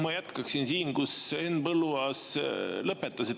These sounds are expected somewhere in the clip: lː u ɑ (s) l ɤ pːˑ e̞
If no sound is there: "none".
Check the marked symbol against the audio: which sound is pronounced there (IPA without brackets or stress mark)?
s